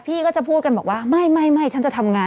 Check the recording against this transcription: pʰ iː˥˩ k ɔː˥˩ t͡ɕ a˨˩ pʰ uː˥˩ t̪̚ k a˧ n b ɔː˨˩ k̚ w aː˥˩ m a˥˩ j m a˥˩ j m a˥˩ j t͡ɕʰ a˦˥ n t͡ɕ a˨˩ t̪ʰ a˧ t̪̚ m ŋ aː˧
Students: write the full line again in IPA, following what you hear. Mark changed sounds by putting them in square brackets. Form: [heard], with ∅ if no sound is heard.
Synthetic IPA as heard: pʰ iː˥˩ k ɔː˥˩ t͡ɕ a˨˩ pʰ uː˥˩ t̪̚ k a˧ n b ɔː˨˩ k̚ w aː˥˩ m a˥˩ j m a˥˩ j m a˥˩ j t͡ɕʰ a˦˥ n t͡ɕ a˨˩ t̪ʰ a˧ [∅] m ŋ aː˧